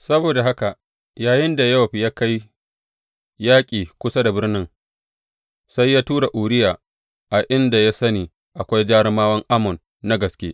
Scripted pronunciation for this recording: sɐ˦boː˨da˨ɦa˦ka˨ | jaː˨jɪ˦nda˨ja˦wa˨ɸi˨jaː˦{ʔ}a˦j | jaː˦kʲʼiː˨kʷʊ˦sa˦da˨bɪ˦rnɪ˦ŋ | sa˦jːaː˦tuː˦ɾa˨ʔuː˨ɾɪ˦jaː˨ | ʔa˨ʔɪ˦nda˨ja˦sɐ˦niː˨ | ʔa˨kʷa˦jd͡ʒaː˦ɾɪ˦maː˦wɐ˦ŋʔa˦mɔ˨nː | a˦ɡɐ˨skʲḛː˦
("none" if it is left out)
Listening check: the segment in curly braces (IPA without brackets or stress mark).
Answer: k